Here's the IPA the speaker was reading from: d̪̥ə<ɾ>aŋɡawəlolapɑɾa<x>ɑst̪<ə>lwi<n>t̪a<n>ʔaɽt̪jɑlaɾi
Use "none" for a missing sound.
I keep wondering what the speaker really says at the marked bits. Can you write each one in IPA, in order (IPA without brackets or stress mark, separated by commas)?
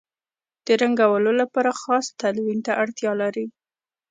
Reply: ɾ, x, a, n, none